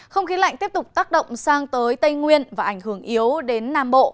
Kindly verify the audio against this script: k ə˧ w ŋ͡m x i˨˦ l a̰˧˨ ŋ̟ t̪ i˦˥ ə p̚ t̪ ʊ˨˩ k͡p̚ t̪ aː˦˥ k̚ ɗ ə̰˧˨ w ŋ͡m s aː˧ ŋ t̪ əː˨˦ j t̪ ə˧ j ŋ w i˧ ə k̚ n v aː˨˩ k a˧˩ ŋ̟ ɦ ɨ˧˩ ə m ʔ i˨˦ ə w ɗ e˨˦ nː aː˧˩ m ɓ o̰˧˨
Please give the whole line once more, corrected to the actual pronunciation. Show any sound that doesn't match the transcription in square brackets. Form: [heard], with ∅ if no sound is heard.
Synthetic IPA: [x] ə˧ w ŋ͡m x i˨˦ l a̰˧˨ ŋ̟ t̪ i˦˥ ə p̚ t̪ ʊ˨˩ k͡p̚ t̪ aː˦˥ k̚ ɗ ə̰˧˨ w ŋ͡m s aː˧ ŋ t̪ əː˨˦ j t̪ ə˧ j ŋ w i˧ ə [∅] n v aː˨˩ [ʔ] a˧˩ ŋ̟ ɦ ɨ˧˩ ə [ŋ] ʔ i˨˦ ə w ɗ e˨˦ nː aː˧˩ m ɓ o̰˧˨